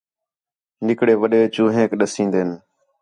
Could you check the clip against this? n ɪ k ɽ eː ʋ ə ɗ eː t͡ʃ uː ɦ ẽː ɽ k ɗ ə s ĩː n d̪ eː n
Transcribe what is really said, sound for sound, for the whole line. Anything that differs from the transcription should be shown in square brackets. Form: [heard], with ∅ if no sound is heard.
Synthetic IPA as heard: n ɪ k ɽ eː ʋ ə ɗ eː t͡ʃ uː ɦ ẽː [∅] k ɗ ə s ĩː n d̪ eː n